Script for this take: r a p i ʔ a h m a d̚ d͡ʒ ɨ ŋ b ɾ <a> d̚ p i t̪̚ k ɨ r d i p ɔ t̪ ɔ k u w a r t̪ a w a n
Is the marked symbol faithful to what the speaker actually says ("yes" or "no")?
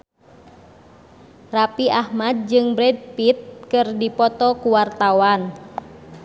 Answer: no